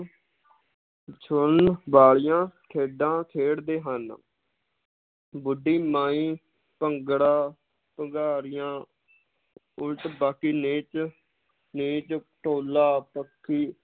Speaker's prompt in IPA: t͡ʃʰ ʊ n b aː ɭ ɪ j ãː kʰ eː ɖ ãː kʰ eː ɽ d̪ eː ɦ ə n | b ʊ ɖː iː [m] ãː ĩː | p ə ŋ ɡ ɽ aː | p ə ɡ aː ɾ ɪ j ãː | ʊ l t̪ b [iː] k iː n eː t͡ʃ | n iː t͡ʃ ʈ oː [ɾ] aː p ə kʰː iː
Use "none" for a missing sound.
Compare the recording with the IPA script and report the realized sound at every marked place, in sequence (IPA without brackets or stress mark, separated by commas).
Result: m, aː, l